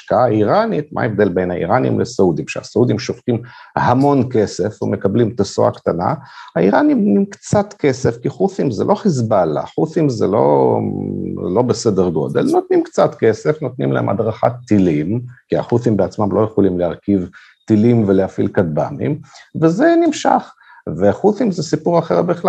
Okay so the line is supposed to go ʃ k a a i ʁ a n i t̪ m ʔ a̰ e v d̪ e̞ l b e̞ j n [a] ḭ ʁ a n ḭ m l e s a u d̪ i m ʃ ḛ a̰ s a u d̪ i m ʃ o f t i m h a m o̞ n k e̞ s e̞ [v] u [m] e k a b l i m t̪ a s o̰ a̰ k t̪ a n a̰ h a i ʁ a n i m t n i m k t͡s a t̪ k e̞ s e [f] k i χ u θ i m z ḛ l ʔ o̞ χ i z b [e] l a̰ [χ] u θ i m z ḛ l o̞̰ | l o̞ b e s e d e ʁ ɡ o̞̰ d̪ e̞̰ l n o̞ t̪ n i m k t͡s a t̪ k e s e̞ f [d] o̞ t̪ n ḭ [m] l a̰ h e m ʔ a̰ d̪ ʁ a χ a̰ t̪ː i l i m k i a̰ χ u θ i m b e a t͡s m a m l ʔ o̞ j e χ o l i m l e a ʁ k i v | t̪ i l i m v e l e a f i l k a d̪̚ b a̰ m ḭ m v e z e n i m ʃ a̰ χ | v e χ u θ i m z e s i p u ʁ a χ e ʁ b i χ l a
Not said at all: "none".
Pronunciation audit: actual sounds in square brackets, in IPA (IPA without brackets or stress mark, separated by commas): a, f, m, f, a, χ, n, m